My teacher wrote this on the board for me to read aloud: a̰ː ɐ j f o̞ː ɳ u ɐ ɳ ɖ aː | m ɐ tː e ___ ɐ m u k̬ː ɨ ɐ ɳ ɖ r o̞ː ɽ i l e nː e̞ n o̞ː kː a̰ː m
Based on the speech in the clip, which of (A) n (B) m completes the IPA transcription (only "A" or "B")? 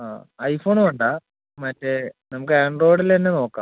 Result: A